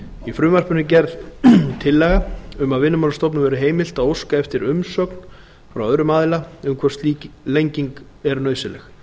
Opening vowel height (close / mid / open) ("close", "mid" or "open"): close